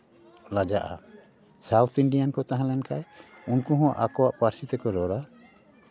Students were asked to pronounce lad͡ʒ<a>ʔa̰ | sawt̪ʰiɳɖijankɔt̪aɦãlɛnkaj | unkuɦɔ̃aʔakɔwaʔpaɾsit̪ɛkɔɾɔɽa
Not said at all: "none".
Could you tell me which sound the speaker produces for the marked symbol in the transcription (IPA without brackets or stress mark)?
a